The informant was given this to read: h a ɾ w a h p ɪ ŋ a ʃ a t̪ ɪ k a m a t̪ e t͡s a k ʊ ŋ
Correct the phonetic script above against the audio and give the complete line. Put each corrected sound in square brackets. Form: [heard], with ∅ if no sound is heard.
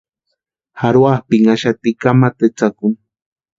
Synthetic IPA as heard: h a ɾ w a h p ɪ ŋ a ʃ a t̪ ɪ k a m a t̪ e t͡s a k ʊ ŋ